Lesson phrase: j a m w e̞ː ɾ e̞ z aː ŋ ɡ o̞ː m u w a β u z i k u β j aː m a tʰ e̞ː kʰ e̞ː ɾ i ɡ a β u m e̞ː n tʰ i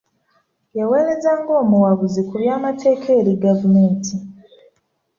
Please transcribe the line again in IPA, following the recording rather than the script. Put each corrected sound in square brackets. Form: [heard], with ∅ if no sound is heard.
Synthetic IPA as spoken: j a [∅] w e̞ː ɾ e̞ z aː ŋ ɡ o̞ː m u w a β u z i k u β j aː m a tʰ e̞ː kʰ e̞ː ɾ i ɡ a [v] u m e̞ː n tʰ i